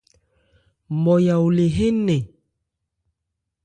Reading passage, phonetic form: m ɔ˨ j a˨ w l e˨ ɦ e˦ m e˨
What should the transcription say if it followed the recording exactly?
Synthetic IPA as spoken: m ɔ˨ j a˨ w l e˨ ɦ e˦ n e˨